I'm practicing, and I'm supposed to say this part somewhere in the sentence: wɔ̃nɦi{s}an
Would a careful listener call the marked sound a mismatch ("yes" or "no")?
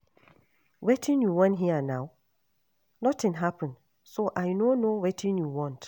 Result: yes